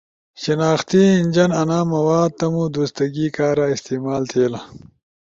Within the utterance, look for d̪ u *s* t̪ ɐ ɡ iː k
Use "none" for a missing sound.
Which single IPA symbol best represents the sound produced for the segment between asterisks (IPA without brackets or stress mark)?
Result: s